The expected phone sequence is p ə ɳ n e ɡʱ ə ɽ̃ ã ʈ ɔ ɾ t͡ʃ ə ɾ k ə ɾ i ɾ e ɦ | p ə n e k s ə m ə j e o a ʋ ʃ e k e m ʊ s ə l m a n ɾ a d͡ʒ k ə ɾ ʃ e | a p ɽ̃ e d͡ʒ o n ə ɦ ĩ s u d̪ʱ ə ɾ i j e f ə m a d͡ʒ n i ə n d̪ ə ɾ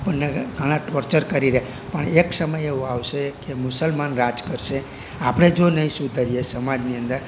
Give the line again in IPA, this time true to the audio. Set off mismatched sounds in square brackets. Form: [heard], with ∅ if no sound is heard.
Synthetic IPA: p ə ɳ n e ɡʱ ə ɽ̃ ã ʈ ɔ ɾ t͡ʃ ə ɾ k ə ɾ i ɾ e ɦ | p ə [ɳ] e k s ə m ə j e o a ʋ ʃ e k e m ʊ s ə l m a n ɾ a d͡ʒ k ə ɾ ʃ e | a p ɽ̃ e d͡ʒ o n ə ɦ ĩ s u d̪ʱ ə ɾ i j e [s] ə m a d͡ʒ n i ə n d̪ ə ɾ